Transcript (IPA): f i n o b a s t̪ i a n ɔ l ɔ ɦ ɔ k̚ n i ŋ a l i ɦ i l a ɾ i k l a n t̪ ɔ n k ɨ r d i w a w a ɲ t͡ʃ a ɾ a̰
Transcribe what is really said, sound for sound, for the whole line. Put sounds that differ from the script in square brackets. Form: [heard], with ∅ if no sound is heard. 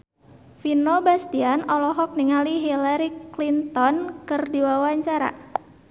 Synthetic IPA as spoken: f i n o b a s t̪ i a n ɔ l ɔ ɦ ɔ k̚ n i ŋ a l i ɦ i l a ɾ i k l [i] n t̪ ɔ n k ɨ r d i w a w a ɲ t͡ʃ a ɾ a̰